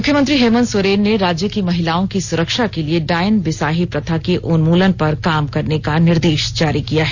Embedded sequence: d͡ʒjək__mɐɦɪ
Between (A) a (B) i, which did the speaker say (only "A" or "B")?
B